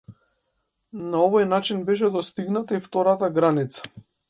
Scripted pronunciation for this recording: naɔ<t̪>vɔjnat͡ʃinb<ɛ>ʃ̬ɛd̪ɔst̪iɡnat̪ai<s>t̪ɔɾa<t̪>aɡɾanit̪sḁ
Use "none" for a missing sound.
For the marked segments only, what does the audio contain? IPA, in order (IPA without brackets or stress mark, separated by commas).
none, ɛ, f, t̪